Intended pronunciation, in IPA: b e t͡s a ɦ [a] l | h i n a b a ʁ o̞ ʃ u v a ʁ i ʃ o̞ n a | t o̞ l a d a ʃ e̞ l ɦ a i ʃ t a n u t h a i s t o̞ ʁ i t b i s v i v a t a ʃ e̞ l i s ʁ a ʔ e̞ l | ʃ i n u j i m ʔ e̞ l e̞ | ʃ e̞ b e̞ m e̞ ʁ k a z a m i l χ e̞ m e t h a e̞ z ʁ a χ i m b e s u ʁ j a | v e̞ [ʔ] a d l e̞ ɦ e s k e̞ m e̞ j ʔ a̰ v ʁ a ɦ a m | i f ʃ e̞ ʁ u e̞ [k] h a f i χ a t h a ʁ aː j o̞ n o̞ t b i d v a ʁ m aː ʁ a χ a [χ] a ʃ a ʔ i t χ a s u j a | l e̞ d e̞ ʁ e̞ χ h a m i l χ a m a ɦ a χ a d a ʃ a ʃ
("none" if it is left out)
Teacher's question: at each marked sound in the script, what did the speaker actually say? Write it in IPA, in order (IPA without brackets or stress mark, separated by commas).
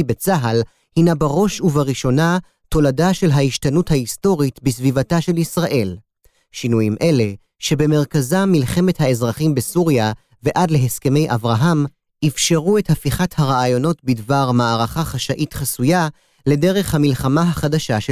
a, ʔ, t, χ